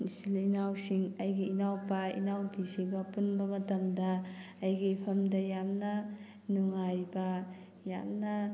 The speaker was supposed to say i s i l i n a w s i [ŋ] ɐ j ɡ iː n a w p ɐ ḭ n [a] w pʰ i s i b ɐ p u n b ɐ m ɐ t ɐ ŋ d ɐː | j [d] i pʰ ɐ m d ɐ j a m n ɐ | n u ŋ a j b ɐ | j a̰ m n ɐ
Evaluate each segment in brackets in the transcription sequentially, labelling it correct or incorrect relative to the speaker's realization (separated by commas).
correct, correct, incorrect